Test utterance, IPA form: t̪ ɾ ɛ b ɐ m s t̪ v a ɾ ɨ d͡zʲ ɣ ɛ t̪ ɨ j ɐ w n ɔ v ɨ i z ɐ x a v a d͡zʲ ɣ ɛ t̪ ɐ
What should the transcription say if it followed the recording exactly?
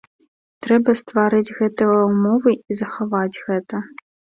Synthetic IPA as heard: t̪ ɾ ɛ b ɐ s t̪ v a ɾ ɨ d͡zʲ ɣ ɛ t̪ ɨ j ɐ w m ɔ v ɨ i z ɐ x a v a d͡zʲ ɣ ɛ t̪ ɐ